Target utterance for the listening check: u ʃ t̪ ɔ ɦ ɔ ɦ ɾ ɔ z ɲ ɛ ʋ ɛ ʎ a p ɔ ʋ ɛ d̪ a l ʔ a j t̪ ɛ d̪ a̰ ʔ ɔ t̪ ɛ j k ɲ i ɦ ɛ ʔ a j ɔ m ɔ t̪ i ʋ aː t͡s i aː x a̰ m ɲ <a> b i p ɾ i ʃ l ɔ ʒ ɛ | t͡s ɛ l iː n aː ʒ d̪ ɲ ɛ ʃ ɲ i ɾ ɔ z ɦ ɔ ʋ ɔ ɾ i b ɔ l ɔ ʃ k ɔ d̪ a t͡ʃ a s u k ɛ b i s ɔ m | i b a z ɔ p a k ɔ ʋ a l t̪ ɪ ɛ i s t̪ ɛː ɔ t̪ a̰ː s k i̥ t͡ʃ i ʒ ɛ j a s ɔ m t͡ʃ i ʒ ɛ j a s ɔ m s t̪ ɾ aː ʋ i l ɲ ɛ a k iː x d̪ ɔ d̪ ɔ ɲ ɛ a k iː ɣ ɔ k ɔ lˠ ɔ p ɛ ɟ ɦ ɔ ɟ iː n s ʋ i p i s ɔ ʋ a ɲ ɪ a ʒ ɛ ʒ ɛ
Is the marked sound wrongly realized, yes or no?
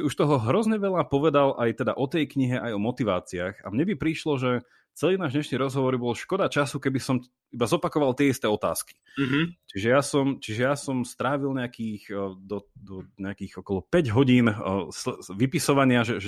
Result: yes